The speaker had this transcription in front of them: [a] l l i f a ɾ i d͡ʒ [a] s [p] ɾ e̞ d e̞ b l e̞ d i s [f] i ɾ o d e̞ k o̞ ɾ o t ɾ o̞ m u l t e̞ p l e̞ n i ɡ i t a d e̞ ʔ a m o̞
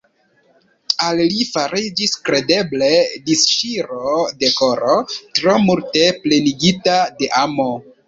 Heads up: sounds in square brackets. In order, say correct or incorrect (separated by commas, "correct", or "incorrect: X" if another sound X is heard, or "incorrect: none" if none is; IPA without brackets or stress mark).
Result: correct, incorrect: i, incorrect: k, incorrect: ʃ